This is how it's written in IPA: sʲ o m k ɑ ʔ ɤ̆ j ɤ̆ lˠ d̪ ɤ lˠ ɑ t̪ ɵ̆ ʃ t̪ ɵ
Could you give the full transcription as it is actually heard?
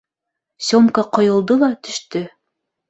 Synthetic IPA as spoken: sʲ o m k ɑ q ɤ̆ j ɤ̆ lˠ d̪ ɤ lˠ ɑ t̪ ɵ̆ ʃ t̪ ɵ